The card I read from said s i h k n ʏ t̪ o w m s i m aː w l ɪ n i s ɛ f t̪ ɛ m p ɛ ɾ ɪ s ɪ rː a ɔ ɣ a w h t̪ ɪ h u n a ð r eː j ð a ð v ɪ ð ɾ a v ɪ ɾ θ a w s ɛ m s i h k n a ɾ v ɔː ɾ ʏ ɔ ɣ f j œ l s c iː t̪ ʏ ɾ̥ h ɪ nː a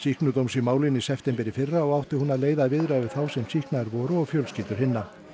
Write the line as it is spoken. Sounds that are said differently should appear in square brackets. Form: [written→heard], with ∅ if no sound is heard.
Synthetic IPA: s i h k n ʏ t̪ o w m s i m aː w l ɪ n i s ɛ f t̪ ɛ m p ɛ ɾ ɪ [s→f] ɪ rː a ɔ ɣ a w h t̪ ɪ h u n a ð [r→l] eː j ð a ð v ɪ ð ɾ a v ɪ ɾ θ a w s ɛ m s i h k n a ɾ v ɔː ɾ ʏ ɔ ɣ f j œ l s c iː t̪ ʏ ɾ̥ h ɪ nː a